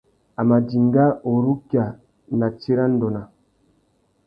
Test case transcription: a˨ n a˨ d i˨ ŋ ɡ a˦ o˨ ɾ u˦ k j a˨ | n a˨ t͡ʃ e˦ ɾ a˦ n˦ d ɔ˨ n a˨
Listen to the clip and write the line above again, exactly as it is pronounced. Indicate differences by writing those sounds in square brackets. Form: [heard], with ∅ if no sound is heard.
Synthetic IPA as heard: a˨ [m] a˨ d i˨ ŋ ɡ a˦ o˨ ɾ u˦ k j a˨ | n a˨ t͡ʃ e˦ ɾ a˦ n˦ d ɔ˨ n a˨